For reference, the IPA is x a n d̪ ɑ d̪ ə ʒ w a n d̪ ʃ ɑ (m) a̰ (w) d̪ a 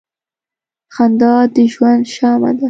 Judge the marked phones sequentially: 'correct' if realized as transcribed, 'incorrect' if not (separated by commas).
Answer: correct, incorrect